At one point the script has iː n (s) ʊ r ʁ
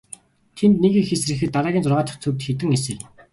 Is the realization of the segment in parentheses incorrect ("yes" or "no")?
yes